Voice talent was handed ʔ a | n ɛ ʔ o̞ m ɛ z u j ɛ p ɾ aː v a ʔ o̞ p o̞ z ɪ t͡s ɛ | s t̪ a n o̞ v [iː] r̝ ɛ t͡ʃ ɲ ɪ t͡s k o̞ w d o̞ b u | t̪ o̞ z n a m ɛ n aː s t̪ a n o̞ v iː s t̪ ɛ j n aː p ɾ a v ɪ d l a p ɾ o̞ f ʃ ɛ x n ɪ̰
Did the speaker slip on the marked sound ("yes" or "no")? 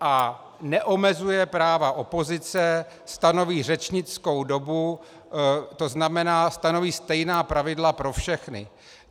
no